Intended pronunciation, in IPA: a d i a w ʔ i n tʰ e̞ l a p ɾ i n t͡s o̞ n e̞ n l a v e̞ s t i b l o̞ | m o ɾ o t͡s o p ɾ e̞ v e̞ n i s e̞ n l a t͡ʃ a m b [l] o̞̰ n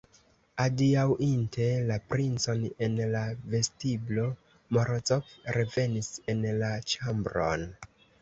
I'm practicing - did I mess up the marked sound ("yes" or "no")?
yes